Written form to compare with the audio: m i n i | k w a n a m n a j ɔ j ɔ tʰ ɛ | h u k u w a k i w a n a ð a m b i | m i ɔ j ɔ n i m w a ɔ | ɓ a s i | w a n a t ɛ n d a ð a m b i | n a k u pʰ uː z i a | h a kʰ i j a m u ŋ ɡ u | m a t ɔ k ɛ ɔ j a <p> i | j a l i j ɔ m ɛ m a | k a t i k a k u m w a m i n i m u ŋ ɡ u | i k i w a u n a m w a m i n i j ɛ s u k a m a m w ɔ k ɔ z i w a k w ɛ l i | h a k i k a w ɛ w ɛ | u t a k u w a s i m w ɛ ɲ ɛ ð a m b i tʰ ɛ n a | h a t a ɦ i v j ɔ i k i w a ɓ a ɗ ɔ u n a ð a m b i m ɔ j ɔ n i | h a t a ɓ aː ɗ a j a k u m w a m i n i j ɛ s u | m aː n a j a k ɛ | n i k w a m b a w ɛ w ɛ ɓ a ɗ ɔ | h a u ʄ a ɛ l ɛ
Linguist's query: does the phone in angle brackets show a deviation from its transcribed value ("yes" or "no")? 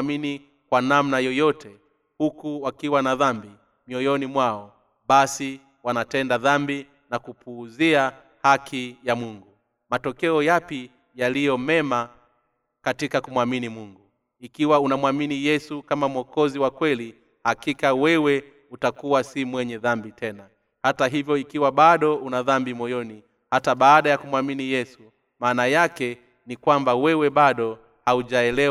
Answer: no